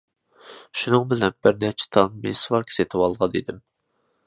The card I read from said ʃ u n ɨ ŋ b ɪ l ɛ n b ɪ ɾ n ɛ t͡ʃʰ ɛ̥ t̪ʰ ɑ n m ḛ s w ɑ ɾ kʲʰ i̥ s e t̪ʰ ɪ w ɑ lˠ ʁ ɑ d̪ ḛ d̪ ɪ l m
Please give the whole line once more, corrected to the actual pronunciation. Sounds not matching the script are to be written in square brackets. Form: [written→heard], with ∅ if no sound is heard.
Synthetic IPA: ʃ u n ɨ ŋ b ɪ l ɛ n b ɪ ɾ n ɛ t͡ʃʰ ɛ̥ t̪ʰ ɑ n m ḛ s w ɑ ɾ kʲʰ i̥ s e t̪ʰ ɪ w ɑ lˠ ʁ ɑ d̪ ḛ d̪ ɪ [l→∅] m